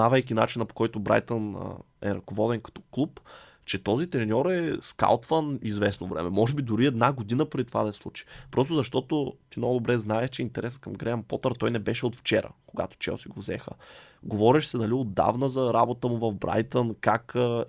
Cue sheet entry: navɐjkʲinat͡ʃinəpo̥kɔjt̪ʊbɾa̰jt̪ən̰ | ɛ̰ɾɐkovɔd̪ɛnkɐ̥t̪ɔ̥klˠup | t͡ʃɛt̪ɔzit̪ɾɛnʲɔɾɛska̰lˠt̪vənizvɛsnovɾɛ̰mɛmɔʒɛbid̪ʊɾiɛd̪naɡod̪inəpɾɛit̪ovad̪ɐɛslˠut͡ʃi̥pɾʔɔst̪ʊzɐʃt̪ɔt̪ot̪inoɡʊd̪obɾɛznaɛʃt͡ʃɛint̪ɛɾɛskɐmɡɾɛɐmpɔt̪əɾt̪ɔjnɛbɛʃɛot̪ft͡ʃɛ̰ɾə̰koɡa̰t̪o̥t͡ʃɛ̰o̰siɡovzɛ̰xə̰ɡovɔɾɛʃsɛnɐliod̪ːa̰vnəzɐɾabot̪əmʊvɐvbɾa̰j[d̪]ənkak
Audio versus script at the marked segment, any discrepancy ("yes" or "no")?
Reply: yes